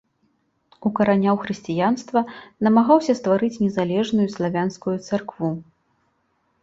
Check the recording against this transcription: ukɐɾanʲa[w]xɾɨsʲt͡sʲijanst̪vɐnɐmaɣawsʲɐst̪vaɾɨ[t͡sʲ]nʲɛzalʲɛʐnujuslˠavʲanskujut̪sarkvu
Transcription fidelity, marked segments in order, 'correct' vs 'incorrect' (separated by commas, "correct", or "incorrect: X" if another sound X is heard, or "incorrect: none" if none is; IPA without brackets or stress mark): correct, correct